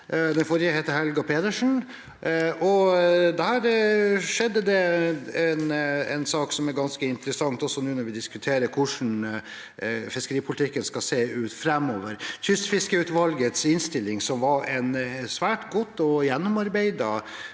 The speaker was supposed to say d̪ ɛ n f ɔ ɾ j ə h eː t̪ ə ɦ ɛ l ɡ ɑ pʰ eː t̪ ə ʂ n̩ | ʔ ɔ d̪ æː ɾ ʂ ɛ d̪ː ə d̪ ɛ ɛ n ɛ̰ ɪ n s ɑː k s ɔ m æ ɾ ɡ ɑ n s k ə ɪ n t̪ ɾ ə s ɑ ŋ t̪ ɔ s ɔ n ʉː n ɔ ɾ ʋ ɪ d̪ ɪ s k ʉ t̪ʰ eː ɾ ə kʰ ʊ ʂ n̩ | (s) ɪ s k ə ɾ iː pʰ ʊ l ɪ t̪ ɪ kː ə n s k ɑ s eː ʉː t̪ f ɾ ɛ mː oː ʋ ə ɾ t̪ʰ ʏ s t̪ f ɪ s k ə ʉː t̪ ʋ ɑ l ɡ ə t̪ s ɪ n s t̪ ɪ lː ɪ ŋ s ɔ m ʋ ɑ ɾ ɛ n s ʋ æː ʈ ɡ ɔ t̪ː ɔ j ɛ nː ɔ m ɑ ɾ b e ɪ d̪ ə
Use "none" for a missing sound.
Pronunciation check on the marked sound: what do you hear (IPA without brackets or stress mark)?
f